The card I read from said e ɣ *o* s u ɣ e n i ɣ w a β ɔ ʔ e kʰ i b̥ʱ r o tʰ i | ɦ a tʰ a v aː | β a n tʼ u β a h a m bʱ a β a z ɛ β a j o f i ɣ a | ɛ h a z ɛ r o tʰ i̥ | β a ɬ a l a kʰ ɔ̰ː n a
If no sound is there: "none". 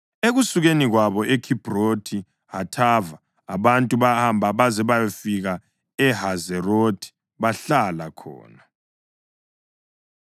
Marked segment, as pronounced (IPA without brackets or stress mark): u